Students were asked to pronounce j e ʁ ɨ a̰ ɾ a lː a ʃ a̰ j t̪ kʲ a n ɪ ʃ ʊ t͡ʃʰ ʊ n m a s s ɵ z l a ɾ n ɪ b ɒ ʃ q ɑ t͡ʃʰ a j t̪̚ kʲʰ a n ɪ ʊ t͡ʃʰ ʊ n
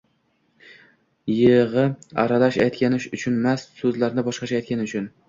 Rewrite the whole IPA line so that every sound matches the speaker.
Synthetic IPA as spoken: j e ʁ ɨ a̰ ɾ a l a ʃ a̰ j t̪ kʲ a n ɪ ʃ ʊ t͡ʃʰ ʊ n m a s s ɵ z l a ɾ n ɪ b ɒ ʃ q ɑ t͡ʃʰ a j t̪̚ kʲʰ a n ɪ ʊ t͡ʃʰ ʊ n